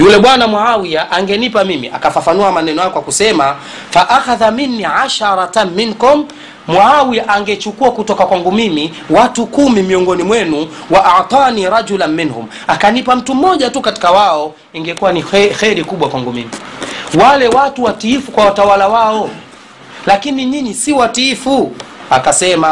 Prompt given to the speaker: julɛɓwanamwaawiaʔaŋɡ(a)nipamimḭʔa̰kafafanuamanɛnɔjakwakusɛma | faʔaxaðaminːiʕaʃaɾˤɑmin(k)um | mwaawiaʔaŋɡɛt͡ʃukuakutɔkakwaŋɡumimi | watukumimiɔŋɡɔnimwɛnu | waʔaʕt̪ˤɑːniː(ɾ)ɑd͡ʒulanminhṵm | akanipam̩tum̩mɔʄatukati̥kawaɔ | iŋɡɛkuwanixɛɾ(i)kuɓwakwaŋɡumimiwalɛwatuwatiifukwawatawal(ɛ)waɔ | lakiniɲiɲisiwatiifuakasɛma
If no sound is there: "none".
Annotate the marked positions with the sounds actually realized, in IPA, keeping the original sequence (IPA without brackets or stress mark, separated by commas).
ɛ, k, ɾ, i, a